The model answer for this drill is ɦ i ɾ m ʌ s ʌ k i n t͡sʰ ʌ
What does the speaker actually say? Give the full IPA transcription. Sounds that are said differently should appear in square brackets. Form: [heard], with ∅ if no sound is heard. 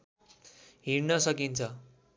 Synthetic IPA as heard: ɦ i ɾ [n] ʌ s ʌ k i n t͡sʰ ʌ